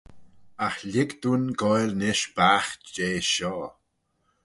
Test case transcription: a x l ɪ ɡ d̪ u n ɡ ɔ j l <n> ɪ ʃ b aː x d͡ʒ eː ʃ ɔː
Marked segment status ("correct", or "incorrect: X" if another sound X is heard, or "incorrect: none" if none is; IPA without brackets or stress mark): correct